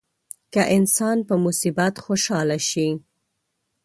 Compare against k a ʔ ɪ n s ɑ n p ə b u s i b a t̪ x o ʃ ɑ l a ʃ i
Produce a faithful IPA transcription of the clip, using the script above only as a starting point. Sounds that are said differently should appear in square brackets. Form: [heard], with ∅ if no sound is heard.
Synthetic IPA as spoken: k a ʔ ɪ n s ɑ n p ə [m] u s i b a t̪ x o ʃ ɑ l a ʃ i